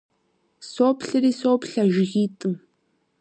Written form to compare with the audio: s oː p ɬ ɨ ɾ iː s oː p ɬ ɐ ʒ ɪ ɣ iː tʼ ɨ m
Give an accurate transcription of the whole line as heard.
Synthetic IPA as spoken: s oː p ɬ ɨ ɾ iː s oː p ɬ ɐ ʒ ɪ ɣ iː tʼ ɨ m